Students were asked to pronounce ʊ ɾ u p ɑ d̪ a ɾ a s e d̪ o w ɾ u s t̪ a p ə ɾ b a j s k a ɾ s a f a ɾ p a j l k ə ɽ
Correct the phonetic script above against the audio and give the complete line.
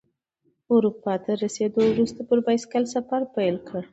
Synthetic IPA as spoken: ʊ ɾ u p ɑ t̪ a ɾ a s e d̪ o w ɾ u s t̪ a p ə ɾ b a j s k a l s a f a ɾ p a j l k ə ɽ